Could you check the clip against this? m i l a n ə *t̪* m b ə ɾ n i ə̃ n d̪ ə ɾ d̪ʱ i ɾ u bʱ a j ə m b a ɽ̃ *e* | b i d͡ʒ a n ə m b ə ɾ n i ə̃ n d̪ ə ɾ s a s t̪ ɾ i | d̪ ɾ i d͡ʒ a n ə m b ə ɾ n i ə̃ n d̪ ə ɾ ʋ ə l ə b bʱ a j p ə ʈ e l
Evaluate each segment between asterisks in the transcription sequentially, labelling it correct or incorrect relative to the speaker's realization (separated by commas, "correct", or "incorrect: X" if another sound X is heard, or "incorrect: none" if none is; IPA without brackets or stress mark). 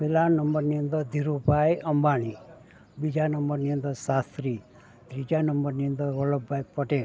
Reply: incorrect: none, incorrect: i